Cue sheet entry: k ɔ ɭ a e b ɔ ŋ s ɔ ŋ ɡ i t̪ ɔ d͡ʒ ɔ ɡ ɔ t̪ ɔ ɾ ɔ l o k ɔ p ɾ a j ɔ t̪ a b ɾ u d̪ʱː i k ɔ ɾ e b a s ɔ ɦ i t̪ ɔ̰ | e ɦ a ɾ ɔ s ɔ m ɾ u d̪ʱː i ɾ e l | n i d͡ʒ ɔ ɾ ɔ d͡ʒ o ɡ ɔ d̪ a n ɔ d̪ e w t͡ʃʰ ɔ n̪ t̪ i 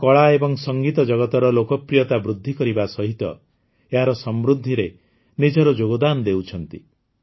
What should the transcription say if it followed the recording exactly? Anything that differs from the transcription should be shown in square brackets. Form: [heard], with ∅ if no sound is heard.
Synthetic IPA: k ɔ ɭ a e b ɔ ŋ s ɔ ŋ ɡ i t̪ ɔ d͡ʒ ɔ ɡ ɔ t̪ ɔ ɾ ɔ l o k ɔ p ɾ [i] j ɔ t̪ a b ɾ u d̪ʱː i k ɔ ɾ [i] b a s ɔ ɦ i t̪ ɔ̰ | e ɦ a ɾ ɔ s ɔ m ɾ u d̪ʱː i ɾ e [∅] | n i d͡ʒ ɔ ɾ ɔ d͡ʒ o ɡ ɔ d̪ a n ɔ d̪ e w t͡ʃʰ ɔ n̪ t̪ i

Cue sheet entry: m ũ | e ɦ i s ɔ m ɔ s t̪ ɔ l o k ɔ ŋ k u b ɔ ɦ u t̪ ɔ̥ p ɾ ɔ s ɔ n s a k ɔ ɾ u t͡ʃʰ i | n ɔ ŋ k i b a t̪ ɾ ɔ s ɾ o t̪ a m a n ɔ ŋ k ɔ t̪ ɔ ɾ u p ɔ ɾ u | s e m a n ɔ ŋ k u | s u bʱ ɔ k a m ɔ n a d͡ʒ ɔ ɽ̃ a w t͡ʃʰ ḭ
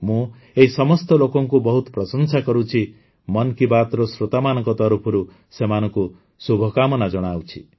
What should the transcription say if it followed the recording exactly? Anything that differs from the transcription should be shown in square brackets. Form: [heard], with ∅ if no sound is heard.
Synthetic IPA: m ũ | e ɦ i s ɔ m ɔ s t̪ ɔ l o k ɔ ŋ k u b ɔ ɦ u t̪ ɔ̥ p ɾ ɔ s ɔ n s a k ɔ ɾ u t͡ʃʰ i | [m] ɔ [n] k i b a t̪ ɾ ɔ s ɾ o t̪ a m a n ɔ ŋ k ɔ t̪ ɔ ɾ u [pʰ] ɔ ɾ u | s e m a n ɔ ŋ k u | s u bʱ ɔ k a m ɔ n a d͡ʒ ɔ ɽ̃ a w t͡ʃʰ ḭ

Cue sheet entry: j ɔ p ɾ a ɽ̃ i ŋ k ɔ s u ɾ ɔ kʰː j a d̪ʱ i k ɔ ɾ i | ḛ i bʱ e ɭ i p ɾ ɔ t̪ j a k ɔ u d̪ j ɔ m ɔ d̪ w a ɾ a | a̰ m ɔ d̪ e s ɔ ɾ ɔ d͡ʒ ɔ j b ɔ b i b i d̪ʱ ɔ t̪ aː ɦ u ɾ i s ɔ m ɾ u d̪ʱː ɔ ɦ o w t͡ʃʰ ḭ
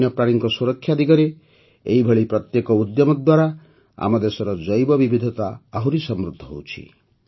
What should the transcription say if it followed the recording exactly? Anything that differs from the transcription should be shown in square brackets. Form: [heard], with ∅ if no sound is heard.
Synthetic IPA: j ɔ p ɾ a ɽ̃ i ŋ k ɔ s u ɾ ɔ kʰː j a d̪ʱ i k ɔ ɾ [e] | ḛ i bʱ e ɭ i p ɾ ɔ t̪ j [e] k ɔ u d̪ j ɔ m ɔ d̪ w a ɾ a | a̰ m ɔ d̪ e s ɔ ɾ ɔ d͡ʒ ɔ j b ɔ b i b i d̪ʱ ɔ t̪ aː ɦ u ɾ i s ɔ m ɾ u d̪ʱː ɔ ɦ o w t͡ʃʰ ḭ

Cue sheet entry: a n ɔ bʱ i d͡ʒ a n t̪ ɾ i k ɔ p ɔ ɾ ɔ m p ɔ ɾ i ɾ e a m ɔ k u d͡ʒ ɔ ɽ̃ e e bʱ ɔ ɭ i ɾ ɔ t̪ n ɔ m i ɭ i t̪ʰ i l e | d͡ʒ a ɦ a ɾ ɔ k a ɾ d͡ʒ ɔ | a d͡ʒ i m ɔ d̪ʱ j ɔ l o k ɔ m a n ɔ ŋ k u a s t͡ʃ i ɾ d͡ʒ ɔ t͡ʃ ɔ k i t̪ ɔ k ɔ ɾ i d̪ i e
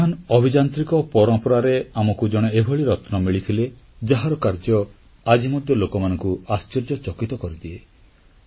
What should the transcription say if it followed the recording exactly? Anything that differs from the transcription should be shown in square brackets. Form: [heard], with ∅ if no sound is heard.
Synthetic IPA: a n ɔ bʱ i d͡ʒ a n t̪ ɾ i k ɔ p ɔ ɾ ɔ m p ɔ ɾ [a] ɾ e a m ɔ k u d͡ʒ ɔ ɽ̃ e e bʱ ɔ ɭ i ɾ ɔ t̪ n ɔ m i ɭ i t̪ʰ i l e | d͡ʒ a ɦ a ɾ ɔ k a ɾ d͡ʒ ɔ | a d͡ʒ i m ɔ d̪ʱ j ɔ l o k ɔ m a n ɔ ŋ k u a s t͡ʃ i ɾ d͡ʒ ɔ t͡ʃ ɔ k i t̪ ɔ k ɔ ɾ i d̪ i e

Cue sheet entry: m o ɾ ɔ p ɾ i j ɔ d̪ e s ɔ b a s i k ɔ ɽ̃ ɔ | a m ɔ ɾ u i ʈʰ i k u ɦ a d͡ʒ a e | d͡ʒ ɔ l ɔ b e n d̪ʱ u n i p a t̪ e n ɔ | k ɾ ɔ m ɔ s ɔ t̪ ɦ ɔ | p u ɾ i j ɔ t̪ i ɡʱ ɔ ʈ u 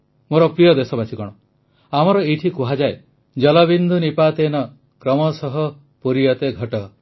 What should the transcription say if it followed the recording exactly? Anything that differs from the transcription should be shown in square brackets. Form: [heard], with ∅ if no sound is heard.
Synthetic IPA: m o ɾ ɔ p ɾ i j ɔ d̪ e s ɔ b a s i k ɔ ɽ̃ ɔ | a m ɔ ɾ [ɔ] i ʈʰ i k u ɦ a d͡ʒ a e | d͡ʒ ɔ l ɔ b [i] n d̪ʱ u n i p a t̪ e n ɔ | k ɾ ɔ m ɔ s ɔ [∅] ɦ ɔ | p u ɾ i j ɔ t̪ [e] ɡʱ ɔ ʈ [ɔ]

